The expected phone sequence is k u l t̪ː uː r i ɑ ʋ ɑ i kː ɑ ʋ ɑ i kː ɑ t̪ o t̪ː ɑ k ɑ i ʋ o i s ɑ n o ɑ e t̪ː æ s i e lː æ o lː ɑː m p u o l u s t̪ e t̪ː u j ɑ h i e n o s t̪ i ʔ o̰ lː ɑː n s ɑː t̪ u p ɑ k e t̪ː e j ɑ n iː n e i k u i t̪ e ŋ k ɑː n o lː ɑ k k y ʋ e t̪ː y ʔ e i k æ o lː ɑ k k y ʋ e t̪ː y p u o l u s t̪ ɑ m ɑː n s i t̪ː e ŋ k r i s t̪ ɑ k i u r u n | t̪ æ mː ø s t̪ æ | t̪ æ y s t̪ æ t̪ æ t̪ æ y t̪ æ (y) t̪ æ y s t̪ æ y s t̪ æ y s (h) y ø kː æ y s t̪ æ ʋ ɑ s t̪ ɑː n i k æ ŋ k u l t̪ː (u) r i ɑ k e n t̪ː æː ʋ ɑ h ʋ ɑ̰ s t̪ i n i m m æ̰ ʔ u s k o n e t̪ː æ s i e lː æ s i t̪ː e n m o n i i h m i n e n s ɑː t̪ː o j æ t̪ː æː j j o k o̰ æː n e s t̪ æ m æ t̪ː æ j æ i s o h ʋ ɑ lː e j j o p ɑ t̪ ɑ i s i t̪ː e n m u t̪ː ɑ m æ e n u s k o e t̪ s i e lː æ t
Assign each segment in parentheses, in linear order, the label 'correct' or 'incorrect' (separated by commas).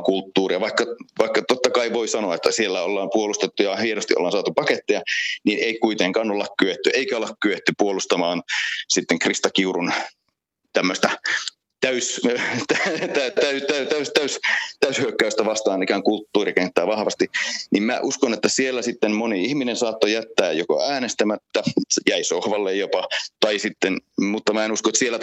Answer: correct, correct, incorrect